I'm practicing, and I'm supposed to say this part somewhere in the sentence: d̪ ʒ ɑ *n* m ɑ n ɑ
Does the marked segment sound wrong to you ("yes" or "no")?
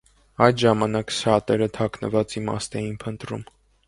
yes